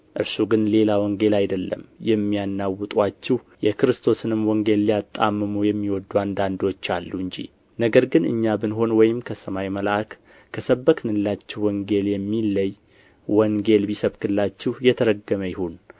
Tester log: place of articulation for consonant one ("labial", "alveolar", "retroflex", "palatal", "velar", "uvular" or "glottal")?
glottal